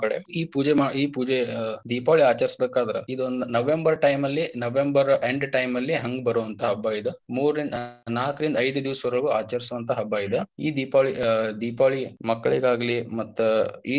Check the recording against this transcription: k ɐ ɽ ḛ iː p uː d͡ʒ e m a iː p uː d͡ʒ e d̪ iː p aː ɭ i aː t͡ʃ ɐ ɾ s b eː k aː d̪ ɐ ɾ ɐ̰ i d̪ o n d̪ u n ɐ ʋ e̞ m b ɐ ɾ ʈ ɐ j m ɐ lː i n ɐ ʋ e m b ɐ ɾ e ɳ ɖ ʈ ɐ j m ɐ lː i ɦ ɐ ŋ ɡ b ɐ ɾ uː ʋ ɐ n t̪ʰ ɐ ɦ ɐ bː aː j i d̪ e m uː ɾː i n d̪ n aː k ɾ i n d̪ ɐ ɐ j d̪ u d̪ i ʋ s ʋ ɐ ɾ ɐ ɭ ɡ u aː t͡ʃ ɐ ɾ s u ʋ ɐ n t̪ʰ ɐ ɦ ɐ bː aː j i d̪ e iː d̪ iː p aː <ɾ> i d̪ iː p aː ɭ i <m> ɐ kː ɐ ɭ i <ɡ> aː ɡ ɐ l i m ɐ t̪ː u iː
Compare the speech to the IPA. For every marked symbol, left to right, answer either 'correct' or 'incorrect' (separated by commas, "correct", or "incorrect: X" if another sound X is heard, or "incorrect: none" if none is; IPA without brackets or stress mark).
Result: incorrect: ɭ, correct, correct